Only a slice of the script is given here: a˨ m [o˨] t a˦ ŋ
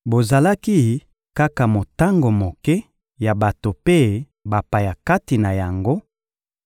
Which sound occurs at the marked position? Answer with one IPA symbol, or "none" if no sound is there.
o˨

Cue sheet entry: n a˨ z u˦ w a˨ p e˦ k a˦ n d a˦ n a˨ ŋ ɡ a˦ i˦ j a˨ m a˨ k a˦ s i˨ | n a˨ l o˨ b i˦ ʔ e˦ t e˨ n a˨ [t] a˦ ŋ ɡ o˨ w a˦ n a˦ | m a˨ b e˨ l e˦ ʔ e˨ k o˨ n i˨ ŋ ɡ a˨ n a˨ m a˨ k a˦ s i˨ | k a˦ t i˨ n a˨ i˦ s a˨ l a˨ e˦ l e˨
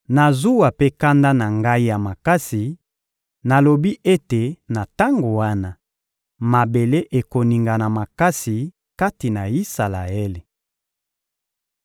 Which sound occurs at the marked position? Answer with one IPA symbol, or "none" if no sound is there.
t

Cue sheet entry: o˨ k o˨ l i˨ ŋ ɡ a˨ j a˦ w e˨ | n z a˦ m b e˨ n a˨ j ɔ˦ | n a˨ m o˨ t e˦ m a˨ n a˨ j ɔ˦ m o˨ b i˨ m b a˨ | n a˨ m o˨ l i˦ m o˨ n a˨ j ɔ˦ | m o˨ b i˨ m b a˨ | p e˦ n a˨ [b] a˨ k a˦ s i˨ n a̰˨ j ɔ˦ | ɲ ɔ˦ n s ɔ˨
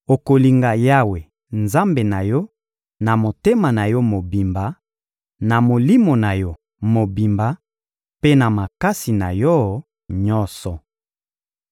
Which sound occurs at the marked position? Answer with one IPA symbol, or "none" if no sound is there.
m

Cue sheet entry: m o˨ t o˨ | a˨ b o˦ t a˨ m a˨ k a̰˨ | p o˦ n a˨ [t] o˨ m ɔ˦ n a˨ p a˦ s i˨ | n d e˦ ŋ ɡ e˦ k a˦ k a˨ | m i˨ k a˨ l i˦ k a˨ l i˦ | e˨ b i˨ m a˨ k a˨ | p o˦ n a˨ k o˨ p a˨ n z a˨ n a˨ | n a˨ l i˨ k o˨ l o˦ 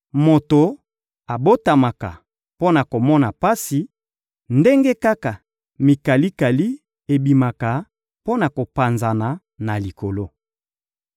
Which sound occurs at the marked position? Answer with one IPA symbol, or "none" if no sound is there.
k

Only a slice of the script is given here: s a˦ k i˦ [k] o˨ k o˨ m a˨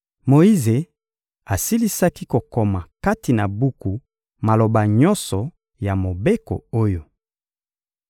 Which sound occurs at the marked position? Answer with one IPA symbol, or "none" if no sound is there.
k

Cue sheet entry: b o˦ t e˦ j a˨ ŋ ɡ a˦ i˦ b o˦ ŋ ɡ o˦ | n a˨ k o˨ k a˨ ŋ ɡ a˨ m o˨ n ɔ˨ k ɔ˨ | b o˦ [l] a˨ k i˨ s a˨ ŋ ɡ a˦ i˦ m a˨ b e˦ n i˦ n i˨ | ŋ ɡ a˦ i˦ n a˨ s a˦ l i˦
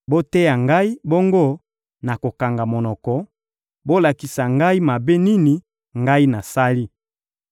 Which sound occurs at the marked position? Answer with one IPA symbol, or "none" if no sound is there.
l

